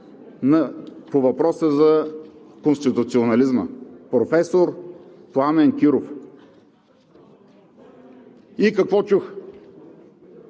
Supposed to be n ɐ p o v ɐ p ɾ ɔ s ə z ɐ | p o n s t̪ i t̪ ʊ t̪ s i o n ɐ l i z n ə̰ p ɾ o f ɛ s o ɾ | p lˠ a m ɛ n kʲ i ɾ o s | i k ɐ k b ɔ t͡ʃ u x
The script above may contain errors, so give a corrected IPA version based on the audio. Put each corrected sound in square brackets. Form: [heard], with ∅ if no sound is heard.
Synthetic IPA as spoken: n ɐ p o v ɐ p ɾ ɔ s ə z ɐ | [k] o n s t̪ i t̪ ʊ t̪ s i o n ɐ l i z [m] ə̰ p ɾ o f ɛ s o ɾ | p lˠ a m ɛ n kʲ i ɾ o [f] | i k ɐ k [v] ɔ t͡ʃ u x